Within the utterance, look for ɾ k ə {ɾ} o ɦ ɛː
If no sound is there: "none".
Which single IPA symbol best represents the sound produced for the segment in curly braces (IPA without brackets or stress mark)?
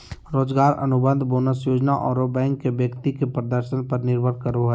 ɾ